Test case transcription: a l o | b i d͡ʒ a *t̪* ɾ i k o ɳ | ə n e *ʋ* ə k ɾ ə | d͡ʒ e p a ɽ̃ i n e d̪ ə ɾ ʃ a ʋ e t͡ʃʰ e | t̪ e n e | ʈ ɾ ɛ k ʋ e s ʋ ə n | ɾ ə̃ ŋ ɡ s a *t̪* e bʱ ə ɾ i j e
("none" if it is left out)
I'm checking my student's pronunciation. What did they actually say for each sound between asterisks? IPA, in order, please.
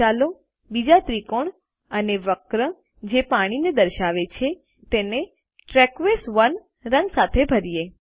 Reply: t̪, ʋ, t̪ʰ

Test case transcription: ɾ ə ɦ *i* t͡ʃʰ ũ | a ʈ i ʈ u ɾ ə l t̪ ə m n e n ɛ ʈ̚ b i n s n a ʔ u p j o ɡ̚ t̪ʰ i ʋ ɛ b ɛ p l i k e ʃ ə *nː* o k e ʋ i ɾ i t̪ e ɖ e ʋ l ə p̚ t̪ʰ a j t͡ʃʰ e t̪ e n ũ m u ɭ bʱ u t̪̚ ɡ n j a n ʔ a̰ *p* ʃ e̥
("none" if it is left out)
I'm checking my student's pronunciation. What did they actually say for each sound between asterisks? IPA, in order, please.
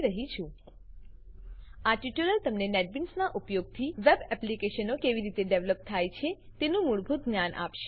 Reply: i, n, p

